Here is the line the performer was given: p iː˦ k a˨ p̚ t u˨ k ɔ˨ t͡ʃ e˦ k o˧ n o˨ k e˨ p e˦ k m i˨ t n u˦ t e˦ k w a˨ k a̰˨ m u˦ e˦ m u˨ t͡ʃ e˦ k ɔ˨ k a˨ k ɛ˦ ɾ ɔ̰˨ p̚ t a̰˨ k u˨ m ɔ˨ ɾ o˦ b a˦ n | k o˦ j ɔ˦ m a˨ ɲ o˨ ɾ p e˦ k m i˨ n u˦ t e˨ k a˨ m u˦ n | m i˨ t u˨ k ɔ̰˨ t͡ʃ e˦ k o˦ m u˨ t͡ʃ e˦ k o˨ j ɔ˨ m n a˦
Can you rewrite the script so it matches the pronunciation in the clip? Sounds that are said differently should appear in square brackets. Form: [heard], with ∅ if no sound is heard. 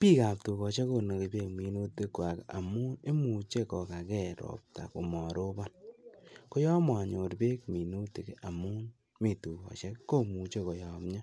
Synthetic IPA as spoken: p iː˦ k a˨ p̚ t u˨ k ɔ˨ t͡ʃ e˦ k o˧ n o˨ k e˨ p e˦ k m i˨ [∅] n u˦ t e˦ k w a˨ k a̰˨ m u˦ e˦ m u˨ t͡ʃ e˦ k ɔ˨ k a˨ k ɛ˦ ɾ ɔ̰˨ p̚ t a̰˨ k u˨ m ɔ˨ ɾ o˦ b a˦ n | k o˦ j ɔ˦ m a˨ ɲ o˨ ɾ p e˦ k m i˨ n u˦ t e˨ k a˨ m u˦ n | m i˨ t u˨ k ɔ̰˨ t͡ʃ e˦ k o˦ m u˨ t͡ʃ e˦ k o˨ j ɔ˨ m [ɲ] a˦